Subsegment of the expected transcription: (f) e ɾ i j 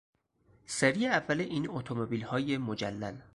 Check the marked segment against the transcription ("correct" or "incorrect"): incorrect